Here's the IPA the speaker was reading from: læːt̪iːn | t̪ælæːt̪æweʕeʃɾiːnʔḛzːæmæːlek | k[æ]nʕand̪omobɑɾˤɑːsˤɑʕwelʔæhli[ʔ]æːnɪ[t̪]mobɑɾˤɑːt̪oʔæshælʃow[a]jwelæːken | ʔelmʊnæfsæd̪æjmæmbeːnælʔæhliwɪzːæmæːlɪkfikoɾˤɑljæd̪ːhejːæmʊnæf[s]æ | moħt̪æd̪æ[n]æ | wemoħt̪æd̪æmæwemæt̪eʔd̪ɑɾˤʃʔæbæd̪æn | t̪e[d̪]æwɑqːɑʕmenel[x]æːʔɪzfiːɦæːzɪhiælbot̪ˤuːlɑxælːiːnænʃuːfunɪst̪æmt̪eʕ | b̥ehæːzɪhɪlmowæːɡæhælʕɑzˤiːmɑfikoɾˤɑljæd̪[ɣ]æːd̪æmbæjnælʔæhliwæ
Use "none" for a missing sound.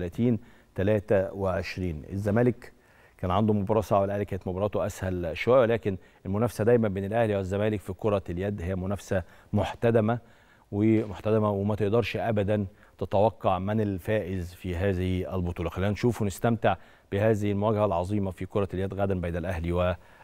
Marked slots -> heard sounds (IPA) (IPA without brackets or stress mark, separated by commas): æː, k, t̪, æ, s, m, t̪, f, ɣ